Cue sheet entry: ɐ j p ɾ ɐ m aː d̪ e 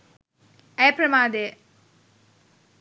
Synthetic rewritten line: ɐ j p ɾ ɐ m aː d̪ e

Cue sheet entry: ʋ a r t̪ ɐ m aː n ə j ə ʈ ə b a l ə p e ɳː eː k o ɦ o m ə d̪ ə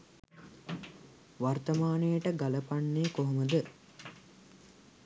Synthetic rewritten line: ʋ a r t̪ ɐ m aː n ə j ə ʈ ə ɡ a l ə p a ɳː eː k o ɦ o m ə d̪ ə

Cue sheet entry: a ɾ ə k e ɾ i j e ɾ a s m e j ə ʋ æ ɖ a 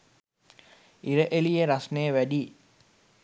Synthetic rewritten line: i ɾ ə ʔ e l i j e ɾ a s n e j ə ʋ æ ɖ i

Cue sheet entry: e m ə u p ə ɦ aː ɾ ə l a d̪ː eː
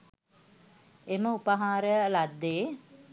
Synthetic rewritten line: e m ə u p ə ɦ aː ɾ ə l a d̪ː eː

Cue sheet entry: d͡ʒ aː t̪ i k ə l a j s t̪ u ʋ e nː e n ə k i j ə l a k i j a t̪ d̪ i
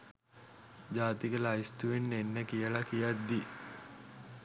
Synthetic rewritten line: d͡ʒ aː t̪ i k ə l a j s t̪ u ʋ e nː e nː ə k i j ə l a k i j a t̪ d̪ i

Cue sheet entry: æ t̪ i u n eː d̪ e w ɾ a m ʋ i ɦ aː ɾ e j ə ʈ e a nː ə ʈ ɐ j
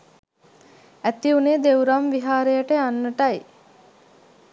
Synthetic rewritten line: æ t̪ i u n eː d̪ e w ɾ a m ʋ i ɦ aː ɾ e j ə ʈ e a nː ə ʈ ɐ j

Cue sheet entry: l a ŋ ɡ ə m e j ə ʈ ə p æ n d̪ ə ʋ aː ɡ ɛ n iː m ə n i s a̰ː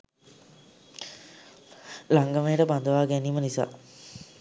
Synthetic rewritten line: l a ŋ ɡ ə m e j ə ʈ ə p a n d̪ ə ʋ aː ɡ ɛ n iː m ə n i s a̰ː

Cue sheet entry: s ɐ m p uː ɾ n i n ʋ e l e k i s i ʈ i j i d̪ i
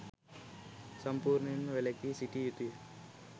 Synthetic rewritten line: s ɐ m p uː ɾ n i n ʋ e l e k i s i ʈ i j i t̪ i

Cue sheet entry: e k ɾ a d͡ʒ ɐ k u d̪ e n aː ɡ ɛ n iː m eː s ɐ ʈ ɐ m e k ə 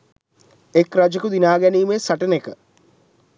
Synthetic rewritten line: e k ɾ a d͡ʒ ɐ k u d̪ i n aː ɡ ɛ n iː m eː s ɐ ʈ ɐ n e k ə

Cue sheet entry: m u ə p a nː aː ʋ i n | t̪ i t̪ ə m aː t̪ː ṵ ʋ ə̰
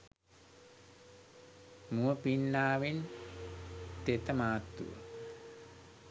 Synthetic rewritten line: m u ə p i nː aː ʋ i n | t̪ e t̪ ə m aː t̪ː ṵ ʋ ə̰

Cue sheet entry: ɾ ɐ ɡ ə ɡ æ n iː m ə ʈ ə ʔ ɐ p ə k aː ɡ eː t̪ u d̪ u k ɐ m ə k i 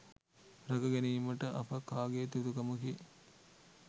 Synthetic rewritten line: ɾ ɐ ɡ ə ɡ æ n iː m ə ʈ ə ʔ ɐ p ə k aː ɡ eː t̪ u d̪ u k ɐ m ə k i

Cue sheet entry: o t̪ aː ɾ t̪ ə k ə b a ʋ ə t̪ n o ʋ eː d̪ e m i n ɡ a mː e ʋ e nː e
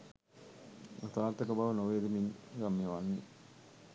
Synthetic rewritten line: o t̪ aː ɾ t̪ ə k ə b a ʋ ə n o ʋ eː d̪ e m i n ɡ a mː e ʋ a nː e

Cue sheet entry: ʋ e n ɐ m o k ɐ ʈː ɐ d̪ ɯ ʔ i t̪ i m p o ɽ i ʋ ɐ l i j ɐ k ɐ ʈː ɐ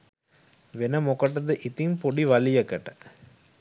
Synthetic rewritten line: ʋ e n ɐ m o k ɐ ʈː ɐ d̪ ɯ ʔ i t̪ i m p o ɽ i ʋ ɐ l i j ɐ k ɐ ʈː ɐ

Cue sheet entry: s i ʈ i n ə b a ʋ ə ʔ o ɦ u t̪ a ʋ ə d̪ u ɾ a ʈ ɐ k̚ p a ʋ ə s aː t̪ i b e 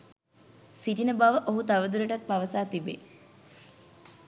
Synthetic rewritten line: s i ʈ i n ə b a ʋ ə ʔ o ɦ u t̪ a ʋ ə d̪ u ɾ ə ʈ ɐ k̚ p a ʋ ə s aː t̪ i b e

